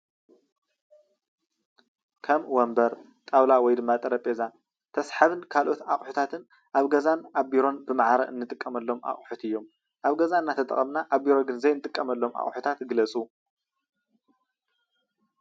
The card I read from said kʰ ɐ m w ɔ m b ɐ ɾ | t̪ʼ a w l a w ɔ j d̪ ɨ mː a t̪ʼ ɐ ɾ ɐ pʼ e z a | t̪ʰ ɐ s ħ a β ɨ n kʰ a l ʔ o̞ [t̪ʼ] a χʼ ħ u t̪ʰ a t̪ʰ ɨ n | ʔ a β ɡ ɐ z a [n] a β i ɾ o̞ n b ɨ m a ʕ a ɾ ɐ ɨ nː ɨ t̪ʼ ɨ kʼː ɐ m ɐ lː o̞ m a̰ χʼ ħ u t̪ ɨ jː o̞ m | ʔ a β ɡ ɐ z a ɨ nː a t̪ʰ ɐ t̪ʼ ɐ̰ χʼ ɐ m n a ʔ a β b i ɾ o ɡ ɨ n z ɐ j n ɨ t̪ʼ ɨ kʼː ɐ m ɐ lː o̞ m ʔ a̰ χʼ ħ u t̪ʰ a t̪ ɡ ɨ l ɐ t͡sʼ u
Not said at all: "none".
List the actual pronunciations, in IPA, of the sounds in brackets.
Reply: t̪, n

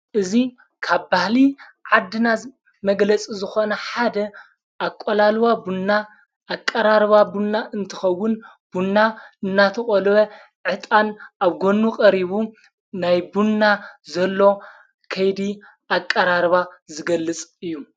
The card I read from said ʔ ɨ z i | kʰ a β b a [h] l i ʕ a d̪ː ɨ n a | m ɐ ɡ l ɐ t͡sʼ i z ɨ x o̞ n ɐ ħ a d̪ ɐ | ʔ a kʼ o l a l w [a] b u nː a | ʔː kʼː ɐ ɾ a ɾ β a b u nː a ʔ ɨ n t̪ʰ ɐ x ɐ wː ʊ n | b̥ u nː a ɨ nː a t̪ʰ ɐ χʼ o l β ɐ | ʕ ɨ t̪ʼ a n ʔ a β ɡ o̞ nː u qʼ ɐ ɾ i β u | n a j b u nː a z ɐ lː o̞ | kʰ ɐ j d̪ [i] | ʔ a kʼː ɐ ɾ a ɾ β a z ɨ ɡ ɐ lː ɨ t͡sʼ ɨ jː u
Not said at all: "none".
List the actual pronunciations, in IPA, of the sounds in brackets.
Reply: h, a, i

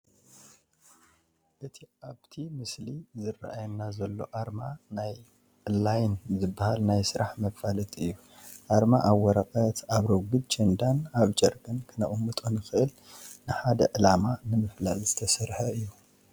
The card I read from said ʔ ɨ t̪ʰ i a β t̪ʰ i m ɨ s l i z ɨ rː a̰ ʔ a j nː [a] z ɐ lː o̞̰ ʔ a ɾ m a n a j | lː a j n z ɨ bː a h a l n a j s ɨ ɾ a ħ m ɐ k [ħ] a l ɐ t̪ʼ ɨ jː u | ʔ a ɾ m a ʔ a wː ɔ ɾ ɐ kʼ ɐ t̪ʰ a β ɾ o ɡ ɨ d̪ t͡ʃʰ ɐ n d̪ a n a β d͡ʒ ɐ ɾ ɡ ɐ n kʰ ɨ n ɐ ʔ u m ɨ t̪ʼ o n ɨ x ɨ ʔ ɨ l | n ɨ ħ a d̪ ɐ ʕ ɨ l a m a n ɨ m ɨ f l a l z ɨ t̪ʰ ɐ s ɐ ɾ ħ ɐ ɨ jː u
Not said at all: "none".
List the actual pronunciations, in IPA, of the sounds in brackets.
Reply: a, f

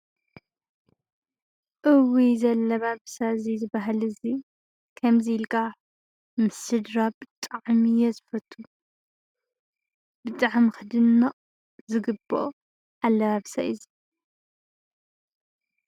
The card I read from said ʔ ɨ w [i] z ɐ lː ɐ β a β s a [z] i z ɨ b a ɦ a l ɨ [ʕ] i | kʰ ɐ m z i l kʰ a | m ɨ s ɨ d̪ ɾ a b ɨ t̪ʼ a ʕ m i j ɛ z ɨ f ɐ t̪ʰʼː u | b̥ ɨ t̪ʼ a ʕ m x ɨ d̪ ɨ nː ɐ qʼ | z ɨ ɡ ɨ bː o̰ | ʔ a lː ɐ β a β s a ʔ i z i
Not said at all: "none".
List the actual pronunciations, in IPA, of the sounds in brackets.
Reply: i, z, z

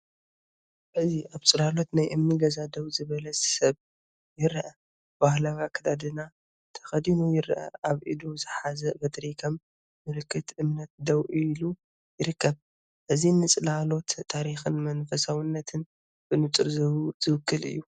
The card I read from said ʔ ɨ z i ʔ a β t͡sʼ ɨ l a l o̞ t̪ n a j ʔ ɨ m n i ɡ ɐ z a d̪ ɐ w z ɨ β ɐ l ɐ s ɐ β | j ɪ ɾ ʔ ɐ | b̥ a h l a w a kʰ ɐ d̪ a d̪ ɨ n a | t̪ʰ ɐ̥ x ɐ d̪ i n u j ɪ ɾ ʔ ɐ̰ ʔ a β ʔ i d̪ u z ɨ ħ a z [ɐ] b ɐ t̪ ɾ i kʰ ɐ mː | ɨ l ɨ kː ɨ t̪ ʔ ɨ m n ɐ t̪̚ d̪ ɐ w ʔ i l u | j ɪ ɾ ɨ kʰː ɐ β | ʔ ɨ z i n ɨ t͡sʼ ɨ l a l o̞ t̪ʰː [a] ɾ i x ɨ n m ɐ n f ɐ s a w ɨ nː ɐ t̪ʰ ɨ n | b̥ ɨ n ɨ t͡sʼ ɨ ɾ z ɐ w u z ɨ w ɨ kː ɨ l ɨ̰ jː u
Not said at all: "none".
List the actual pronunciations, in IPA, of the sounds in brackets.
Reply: ɐ, a

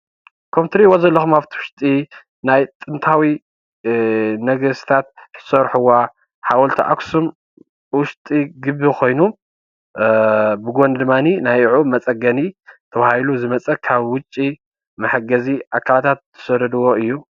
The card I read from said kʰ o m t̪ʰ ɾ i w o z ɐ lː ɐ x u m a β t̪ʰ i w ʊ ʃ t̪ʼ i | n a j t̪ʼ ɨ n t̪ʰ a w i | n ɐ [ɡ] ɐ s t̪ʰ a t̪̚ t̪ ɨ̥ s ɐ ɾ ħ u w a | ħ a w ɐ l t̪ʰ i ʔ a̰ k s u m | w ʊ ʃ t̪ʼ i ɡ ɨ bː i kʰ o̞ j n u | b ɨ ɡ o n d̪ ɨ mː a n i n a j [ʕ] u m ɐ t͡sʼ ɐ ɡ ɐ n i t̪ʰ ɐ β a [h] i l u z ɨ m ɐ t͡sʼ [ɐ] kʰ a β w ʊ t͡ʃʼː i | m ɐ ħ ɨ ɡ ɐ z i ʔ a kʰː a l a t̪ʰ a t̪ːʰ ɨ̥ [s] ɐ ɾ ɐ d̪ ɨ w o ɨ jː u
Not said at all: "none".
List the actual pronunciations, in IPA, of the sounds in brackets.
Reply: ɡ, ʕ, h, ɐ, s

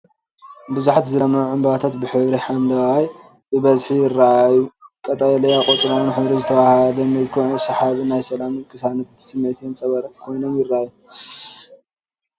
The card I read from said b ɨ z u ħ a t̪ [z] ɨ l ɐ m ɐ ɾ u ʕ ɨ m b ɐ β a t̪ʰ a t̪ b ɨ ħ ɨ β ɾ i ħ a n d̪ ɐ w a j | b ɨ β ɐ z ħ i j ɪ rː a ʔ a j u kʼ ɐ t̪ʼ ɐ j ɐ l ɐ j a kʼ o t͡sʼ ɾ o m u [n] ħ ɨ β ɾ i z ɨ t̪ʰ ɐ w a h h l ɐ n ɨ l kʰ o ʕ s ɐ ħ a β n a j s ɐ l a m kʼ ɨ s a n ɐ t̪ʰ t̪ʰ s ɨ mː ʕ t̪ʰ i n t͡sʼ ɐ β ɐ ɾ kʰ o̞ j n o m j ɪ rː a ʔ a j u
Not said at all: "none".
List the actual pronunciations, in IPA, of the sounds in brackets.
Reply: z, n

